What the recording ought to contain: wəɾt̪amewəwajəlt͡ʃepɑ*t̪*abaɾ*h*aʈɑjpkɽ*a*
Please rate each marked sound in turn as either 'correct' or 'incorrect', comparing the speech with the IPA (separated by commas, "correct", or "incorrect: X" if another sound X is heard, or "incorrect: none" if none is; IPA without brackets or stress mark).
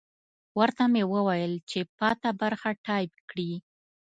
correct, incorrect: x, incorrect: i